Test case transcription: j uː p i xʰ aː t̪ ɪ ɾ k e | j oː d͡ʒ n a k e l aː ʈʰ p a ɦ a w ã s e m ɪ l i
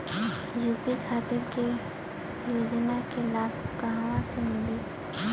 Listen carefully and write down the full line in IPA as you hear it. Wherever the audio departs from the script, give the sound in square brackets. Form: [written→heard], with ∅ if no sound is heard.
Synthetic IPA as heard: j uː p i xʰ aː t̪ ɪ ɾ k e | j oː d͡ʒ n a k e l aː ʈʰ [p→k] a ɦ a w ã s e m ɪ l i